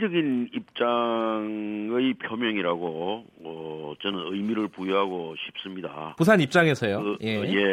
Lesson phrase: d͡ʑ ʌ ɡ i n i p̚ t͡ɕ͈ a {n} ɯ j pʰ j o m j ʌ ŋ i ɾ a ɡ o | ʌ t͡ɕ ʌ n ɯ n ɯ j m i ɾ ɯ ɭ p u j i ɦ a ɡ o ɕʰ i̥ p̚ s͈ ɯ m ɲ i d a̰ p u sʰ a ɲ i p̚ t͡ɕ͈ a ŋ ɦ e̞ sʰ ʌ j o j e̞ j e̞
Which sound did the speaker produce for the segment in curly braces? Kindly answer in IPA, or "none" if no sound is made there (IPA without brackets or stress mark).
ŋ